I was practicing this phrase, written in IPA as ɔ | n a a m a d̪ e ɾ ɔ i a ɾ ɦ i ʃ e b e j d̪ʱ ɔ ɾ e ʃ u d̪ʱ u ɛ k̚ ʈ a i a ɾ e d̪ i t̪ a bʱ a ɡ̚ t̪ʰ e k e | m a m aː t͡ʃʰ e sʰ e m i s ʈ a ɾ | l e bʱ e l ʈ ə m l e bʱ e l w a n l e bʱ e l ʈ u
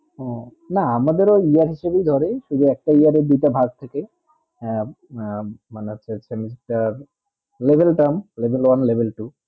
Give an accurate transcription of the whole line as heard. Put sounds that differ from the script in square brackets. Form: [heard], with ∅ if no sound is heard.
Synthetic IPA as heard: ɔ | n a a m a d̪ e ɾ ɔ i a ɾ ɦ i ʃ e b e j d̪ʱ ɔ ɾ e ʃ u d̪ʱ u ɛ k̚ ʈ a i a ɾ e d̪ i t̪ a bʱ a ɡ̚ t̪ʰ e k e | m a [n] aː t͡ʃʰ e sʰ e m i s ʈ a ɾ | l e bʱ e l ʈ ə m l e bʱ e l w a n l e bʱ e l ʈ u